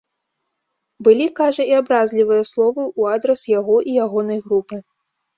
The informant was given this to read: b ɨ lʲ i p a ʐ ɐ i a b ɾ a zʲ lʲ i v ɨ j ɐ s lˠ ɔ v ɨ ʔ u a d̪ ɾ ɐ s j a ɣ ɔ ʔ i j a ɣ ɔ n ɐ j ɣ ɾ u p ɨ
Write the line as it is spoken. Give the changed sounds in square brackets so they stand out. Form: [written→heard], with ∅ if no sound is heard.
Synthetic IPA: b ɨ lʲ i [p→k] a ʐ ɐ i a b ɾ a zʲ lʲ i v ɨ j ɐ s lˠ ɔ v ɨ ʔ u a d̪ ɾ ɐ s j a ɣ ɔ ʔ i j a ɣ ɔ n ɐ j ɣ ɾ u p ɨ